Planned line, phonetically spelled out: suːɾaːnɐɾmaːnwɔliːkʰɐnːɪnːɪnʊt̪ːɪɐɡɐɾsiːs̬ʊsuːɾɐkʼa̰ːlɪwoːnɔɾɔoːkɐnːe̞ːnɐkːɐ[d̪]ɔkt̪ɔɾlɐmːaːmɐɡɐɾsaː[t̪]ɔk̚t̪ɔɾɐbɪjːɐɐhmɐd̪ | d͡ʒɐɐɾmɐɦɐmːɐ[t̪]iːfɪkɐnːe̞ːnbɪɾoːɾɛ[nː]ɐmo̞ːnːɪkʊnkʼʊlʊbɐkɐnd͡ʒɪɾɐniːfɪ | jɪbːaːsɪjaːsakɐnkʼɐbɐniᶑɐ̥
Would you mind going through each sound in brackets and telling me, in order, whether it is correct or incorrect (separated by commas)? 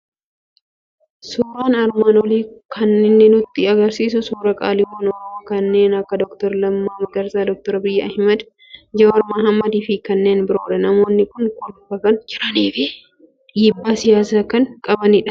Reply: correct, incorrect, incorrect, incorrect